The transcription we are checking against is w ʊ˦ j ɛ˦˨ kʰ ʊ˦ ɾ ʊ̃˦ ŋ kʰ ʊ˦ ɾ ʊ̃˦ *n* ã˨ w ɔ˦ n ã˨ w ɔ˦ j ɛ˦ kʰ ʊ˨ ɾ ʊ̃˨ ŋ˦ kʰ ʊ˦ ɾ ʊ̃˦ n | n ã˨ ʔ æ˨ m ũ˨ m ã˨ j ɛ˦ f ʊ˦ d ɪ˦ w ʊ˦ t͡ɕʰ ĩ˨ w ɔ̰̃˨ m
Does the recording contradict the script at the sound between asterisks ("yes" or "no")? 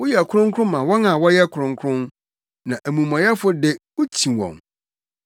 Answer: yes